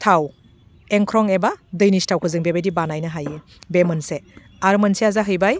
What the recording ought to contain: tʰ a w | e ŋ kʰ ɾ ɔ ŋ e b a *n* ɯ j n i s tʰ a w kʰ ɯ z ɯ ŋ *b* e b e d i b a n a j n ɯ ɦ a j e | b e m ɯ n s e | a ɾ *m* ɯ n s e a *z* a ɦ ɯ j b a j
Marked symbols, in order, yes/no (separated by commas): no, yes, yes, yes